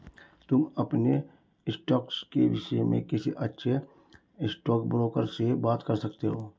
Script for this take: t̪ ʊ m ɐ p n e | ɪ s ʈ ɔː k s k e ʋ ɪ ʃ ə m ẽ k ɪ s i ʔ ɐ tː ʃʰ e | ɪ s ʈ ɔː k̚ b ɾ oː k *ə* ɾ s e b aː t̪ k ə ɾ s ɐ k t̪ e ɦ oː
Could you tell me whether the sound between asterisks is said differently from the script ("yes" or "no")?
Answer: no